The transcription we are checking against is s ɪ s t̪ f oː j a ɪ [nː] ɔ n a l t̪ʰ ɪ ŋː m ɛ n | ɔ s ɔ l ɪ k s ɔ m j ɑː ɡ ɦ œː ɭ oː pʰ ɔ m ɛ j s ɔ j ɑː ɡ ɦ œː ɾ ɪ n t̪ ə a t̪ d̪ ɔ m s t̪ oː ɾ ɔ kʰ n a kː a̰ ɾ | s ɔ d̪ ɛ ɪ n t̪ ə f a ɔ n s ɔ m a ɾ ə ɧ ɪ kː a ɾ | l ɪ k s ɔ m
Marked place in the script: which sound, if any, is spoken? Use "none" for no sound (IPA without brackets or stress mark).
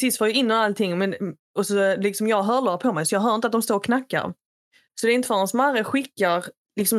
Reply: nː